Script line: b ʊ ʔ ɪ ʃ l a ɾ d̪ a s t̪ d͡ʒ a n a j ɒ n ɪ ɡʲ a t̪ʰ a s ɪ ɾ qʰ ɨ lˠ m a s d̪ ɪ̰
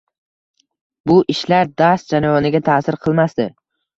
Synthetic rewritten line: b ʊ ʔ ɪ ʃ l a ɾ d̪ a s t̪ d͡ʒ a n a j ɒ n ɪ ɡʲ a t̪ʰ a s ɪ ɾ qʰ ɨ lˠ m a s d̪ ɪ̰